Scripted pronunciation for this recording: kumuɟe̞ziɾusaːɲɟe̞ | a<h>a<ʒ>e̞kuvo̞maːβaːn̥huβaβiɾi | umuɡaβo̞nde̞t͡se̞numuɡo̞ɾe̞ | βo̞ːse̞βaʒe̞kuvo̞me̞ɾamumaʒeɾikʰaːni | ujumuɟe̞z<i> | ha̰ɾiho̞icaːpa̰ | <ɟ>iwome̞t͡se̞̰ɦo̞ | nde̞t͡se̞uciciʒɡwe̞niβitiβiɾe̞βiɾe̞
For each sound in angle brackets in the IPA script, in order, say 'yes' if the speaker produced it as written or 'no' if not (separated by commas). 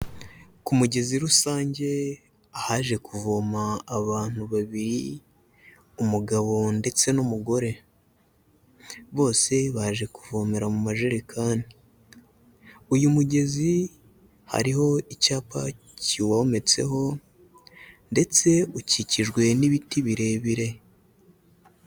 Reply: yes, yes, yes, no